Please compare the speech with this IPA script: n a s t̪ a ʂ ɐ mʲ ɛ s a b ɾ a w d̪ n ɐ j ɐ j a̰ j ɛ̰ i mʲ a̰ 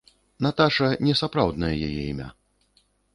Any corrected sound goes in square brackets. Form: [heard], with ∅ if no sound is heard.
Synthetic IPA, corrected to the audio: n a [∅] t̪ a ʂ ɐ [nʲ] ɛ s a [p] ɾ a w d̪ n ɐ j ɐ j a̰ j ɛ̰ i mʲ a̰

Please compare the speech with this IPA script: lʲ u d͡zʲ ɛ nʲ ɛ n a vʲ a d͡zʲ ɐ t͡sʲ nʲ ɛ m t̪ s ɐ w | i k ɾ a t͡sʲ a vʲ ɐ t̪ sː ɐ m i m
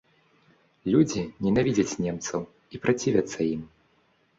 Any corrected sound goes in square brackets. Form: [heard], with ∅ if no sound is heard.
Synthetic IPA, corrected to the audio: lʲ u d͡zʲ [i] nʲ ɛ n a vʲ [i] d͡zʲ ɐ t͡sʲ nʲ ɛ m t̪ s ɐ w | i [p] ɾ a t͡sʲ [i] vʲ ɐ t̪ sː ɐ [∅] i m

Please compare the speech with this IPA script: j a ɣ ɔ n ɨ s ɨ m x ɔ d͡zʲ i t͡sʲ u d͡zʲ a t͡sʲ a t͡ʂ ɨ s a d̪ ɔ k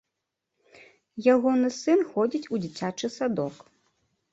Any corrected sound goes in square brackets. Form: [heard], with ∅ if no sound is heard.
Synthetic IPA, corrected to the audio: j a ɣ ɔ n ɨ s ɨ [n] x ɔ d͡zʲ i t͡sʲ u d͡zʲ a t͡sʲ a t͡ʂ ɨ s a d̪ ɔ k

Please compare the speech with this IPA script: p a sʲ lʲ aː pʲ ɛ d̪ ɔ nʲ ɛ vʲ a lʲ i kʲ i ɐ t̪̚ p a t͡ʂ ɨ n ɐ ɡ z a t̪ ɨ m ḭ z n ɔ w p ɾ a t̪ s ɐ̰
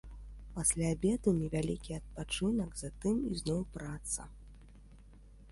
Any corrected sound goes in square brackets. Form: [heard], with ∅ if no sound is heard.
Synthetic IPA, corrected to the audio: p a sʲ lʲ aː [bʲ] ɛ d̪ [u] nʲ ɛ vʲ a lʲ i kʲ i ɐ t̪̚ p a t͡ʂ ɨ n ɐ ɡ z a t̪ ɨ m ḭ z n ɔ w p ɾ a t̪ s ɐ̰

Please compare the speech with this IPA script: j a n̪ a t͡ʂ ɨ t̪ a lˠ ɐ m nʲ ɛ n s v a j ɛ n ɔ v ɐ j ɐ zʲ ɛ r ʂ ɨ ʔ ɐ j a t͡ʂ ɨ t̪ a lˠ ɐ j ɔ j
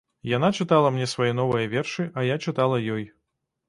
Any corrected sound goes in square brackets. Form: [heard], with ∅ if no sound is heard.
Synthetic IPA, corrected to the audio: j a n̪ a t͡ʂ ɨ t̪ a lˠ ɐ m nʲ ɛ [∅] s v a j ɛ n ɔ v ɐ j ɐ [vʲ] ɛ r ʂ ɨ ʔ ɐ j a t͡ʂ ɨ t̪ a lˠ ɐ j ɔ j

